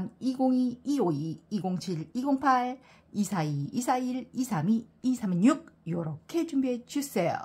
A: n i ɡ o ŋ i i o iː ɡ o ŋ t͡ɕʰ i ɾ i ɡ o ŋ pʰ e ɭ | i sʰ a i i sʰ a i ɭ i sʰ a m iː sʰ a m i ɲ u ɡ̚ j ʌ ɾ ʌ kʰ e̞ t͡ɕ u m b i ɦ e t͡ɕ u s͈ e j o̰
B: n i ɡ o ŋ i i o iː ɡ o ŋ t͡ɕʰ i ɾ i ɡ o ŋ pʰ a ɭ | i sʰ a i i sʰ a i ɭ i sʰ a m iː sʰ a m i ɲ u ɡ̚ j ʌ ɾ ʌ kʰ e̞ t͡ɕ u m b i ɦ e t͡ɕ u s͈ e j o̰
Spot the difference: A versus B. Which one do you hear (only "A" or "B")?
B